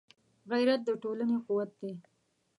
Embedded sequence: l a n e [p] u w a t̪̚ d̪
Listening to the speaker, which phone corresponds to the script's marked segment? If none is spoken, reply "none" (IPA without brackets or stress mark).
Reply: q